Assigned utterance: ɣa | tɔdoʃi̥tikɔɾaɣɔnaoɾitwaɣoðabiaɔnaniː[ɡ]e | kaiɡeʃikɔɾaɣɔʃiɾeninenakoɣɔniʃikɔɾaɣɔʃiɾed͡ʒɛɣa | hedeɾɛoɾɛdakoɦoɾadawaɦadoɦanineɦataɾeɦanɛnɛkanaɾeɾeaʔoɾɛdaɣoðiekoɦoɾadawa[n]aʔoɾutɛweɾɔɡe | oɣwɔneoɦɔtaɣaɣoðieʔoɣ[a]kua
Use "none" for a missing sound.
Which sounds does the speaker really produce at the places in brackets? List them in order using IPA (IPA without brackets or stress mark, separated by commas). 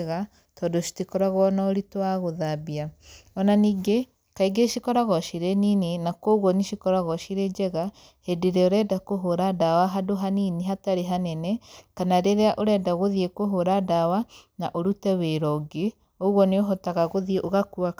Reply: ɡ, n, a